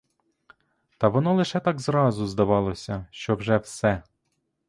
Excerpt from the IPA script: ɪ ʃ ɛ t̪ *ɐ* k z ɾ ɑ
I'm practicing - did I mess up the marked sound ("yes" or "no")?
yes